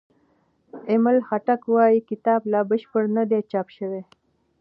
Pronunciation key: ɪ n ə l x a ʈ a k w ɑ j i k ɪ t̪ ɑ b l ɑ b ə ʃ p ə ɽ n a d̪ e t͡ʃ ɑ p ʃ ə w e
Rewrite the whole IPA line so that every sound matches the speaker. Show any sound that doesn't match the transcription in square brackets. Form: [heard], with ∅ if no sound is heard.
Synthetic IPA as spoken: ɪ [m] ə l x a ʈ a k w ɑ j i k ɪ t̪ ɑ b l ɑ b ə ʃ p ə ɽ n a d̪ e t͡ʃ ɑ p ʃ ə w e